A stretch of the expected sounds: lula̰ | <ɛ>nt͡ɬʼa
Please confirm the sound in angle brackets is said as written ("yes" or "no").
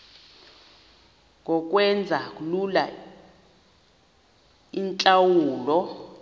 no